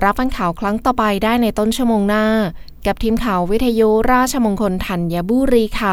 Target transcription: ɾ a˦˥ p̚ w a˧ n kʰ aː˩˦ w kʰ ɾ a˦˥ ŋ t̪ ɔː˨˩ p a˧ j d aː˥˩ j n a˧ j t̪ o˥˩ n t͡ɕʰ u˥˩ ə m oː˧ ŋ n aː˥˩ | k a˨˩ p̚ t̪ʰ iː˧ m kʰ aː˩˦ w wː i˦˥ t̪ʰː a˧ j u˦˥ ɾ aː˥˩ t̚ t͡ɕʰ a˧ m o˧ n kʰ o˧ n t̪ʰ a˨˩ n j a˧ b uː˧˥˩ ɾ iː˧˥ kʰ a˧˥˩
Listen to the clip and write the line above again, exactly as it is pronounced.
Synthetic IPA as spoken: ɾ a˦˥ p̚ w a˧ n kʰ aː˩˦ w kʰ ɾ a˦˥ ŋ t̪ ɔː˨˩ p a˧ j d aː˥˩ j n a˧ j t̪ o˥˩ n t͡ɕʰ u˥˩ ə m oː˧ ŋ n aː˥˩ | k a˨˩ p̚ t̪ʰ iː˧ m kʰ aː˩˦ w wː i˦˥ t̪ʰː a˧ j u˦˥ ɾ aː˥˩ t̚ t͡ɕʰ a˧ m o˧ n kʰ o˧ n t̪ʰ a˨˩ n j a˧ b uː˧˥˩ ɾ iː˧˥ kʰ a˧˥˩